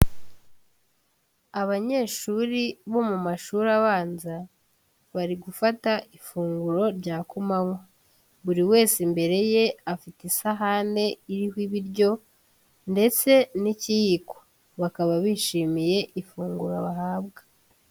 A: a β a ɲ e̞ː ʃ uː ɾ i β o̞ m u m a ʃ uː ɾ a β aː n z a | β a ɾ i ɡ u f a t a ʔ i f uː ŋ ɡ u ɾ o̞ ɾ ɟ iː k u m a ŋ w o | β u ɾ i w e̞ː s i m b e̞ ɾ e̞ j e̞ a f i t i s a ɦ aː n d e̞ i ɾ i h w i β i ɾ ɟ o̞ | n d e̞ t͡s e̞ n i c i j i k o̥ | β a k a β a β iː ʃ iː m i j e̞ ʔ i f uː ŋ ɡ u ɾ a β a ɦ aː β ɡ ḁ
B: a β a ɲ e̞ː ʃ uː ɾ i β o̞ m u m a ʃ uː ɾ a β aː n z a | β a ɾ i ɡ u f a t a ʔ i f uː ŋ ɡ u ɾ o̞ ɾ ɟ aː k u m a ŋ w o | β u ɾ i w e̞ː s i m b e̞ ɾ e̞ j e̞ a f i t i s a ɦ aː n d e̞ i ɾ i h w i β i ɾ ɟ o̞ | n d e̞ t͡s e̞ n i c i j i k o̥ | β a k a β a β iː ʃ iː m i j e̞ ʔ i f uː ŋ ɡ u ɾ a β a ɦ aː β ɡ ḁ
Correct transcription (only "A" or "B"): B